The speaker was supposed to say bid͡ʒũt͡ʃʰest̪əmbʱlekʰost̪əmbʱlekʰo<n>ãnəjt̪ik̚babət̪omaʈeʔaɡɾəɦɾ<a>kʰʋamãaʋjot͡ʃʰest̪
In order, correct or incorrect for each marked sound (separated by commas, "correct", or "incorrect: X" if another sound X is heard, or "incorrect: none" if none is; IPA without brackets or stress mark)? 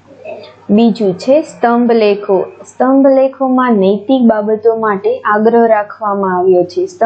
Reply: incorrect: m, correct